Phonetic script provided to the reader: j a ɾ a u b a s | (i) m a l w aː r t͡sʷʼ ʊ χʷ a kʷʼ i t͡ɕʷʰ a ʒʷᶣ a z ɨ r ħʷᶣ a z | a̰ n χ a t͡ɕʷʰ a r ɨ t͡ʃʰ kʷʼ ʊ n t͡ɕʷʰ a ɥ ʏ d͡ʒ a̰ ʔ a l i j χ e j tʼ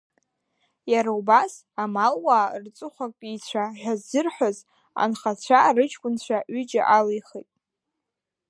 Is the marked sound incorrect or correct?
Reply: incorrect